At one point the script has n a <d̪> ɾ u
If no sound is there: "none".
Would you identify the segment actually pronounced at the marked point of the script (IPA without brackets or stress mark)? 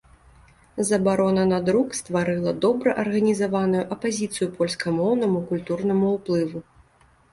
d̪